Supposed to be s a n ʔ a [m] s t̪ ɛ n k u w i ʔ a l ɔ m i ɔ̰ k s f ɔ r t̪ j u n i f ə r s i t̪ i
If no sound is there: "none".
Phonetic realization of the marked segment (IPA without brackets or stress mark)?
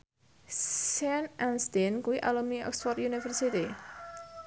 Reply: n